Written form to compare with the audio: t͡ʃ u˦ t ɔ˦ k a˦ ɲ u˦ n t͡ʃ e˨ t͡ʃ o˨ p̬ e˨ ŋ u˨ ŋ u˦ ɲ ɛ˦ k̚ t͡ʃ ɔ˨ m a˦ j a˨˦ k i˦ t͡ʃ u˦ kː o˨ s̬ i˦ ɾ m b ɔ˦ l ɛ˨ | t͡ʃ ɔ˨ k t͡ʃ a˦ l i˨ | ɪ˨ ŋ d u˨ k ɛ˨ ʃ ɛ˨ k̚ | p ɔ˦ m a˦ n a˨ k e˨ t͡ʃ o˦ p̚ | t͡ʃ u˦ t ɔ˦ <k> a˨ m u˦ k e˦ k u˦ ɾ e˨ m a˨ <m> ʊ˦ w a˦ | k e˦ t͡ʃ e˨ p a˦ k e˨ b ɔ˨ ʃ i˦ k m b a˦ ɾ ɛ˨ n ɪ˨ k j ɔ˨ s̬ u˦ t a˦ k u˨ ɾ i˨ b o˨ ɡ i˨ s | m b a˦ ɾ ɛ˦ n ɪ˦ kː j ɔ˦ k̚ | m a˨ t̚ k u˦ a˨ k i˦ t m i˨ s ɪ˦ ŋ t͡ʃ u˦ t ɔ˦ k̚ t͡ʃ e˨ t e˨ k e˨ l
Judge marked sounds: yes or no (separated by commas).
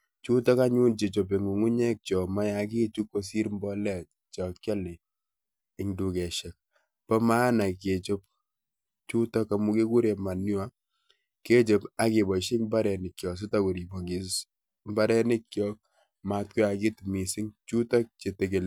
yes, no